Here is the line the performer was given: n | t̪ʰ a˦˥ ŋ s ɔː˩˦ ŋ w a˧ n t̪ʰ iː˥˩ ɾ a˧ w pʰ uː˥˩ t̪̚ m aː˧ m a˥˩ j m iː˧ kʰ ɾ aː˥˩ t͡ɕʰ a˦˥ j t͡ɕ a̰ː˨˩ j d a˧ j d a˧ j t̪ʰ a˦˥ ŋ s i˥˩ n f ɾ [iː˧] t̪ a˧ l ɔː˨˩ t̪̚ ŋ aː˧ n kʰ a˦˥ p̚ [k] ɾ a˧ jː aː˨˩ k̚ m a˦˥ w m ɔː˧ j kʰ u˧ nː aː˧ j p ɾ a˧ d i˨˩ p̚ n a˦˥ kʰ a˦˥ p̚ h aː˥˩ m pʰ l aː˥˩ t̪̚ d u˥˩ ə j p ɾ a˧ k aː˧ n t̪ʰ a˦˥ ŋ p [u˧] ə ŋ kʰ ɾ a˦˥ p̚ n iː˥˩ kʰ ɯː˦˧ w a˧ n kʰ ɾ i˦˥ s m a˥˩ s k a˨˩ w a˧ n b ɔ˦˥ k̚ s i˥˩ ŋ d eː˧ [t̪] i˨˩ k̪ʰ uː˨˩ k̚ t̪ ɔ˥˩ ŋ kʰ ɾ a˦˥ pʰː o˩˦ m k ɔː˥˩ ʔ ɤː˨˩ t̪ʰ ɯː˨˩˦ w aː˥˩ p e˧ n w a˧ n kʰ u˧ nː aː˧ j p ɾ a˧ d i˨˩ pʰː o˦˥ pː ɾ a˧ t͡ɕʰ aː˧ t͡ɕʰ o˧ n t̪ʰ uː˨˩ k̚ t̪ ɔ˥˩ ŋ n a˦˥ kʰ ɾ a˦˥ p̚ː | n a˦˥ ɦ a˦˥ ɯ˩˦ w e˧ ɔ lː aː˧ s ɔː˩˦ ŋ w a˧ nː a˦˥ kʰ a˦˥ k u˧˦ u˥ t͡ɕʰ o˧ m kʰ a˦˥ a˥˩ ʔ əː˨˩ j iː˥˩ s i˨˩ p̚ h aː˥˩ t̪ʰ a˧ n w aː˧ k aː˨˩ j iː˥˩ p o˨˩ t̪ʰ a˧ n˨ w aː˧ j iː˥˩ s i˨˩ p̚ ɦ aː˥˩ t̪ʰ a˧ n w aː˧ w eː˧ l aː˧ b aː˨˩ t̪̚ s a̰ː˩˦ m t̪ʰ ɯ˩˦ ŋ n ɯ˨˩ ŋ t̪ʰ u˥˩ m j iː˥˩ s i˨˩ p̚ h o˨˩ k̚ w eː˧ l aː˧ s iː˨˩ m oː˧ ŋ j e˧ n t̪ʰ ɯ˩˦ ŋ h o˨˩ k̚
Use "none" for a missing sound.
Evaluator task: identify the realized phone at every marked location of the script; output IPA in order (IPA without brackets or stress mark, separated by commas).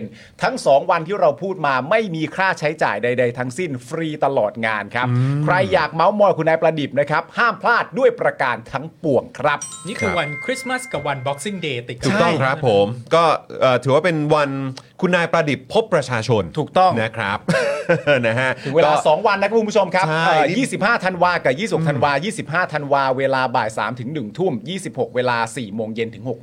iː˧, kʰ, u˨˩, t̪